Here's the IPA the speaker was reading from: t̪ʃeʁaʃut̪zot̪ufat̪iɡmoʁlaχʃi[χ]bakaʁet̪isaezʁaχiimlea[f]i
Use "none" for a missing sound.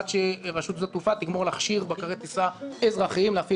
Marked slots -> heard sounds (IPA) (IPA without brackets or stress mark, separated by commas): ʁ, f